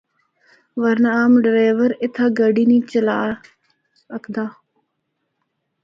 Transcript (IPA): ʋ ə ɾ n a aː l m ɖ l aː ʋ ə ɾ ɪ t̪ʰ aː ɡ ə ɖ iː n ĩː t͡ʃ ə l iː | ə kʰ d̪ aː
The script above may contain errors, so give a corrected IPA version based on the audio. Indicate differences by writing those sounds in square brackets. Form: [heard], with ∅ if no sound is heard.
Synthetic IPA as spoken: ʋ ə ɾ n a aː [∅] m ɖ [ɾ] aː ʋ ə ɾ ɪ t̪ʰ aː ɡ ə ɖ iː n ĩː t͡ʃ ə l [aː] | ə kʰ d̪ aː